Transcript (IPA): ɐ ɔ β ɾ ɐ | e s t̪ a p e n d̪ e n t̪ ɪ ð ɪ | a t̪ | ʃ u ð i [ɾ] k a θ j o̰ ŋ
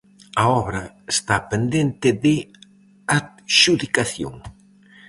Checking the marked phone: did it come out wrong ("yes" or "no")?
yes